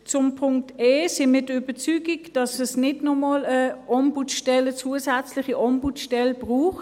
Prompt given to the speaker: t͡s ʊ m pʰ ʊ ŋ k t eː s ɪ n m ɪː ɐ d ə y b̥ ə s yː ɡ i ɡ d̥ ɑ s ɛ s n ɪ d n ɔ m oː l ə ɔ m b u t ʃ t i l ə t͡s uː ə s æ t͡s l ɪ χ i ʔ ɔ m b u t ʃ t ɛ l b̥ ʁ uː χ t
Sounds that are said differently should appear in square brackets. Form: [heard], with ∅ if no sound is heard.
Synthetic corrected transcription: t͡s ʊ m pʰ ʊ ŋ k t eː s ɪ n m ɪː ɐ d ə y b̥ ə [t͡s] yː ɡ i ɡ d̥ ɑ s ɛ s n ɪ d n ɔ m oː l ə ɔ m b u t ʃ t [ɛ] l ə t͡s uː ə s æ t͡s l ɪ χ i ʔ ɔ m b u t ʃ t ɛ l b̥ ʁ uː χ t